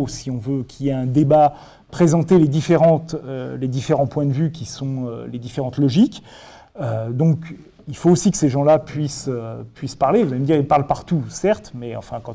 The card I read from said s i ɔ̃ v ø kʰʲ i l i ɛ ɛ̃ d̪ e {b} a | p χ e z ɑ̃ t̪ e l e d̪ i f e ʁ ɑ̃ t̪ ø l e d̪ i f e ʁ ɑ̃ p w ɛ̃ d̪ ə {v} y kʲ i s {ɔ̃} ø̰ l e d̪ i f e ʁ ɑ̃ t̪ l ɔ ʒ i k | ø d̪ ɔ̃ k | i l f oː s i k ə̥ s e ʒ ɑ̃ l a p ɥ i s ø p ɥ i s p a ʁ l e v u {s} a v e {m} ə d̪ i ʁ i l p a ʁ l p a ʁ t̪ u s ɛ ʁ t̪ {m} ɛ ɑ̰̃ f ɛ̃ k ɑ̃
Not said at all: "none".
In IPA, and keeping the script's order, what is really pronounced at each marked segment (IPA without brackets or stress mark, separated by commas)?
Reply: b, v, ɔ̃, z, m, m